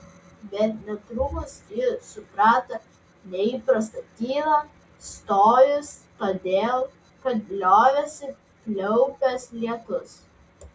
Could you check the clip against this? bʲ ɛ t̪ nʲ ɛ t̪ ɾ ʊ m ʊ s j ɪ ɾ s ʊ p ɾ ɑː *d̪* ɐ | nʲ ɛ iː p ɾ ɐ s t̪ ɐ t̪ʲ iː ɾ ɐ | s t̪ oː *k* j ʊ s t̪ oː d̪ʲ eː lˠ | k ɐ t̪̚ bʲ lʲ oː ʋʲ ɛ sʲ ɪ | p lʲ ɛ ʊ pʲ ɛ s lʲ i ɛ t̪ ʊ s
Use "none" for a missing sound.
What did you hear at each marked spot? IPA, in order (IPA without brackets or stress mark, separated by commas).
t̪, none